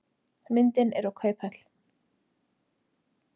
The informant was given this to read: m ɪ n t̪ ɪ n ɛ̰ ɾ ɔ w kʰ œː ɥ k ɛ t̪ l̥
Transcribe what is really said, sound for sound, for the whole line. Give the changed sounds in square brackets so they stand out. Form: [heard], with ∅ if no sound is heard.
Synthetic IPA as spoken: m ɪ n t̪ ɪ n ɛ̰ ɾ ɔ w kʰ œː ɥ [p] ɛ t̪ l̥